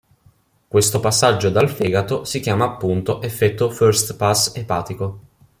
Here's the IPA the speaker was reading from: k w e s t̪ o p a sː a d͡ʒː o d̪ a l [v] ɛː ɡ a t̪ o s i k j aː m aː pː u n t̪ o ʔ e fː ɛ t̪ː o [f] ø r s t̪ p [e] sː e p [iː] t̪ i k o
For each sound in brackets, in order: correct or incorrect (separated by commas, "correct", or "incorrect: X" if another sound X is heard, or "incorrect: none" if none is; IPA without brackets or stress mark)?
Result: incorrect: f, correct, incorrect: a, incorrect: aː